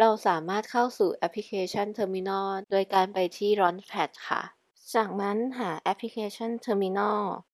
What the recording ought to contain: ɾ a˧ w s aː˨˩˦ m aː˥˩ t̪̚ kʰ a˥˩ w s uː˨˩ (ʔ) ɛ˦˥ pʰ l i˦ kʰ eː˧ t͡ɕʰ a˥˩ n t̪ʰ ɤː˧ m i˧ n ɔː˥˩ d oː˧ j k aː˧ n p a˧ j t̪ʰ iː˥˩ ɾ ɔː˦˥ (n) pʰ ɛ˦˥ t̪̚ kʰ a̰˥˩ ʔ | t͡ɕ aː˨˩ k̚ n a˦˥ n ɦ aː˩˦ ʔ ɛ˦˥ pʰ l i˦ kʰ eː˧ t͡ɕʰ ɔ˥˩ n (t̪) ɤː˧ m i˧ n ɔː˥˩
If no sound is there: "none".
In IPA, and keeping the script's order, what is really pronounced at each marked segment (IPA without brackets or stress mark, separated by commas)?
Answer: ʔ, n, t̪ʰ